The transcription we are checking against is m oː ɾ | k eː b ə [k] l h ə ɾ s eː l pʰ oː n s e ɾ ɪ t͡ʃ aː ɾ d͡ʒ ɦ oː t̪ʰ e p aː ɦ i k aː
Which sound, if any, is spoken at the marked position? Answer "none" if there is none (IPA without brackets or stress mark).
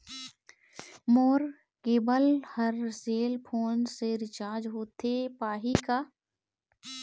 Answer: none